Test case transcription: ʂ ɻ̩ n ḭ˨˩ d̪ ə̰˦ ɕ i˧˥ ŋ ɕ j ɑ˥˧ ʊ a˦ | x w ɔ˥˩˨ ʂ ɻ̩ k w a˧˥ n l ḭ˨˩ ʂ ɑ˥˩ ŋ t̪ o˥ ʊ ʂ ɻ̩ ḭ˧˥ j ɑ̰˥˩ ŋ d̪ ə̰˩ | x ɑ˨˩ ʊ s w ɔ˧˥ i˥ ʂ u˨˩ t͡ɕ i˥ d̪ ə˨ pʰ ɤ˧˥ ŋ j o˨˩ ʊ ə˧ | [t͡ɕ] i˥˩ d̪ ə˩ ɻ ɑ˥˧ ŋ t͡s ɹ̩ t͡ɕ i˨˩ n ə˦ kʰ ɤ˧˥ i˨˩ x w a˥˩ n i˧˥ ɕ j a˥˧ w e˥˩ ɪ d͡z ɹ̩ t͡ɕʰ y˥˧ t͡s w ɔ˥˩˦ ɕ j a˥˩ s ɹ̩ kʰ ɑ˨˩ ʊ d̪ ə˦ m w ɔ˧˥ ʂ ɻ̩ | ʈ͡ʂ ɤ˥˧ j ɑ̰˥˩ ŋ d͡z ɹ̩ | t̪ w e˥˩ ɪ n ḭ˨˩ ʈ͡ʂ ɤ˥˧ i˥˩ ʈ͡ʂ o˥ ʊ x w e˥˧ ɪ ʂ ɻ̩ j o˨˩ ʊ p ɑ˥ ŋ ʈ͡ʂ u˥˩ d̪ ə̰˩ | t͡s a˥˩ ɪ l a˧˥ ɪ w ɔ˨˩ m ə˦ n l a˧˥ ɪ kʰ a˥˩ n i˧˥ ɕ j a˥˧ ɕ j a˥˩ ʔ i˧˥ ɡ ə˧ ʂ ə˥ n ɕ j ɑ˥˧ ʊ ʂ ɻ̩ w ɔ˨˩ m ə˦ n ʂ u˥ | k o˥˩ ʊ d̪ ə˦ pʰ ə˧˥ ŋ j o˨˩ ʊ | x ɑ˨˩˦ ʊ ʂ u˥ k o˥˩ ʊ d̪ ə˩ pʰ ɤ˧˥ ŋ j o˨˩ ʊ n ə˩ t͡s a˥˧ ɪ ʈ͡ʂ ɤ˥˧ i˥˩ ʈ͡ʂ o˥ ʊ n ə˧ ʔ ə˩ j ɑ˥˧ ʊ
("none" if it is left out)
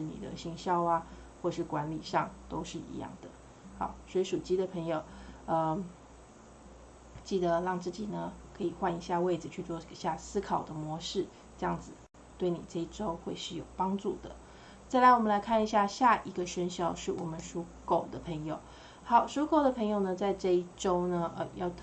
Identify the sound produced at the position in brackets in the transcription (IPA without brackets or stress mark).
t͡ɕ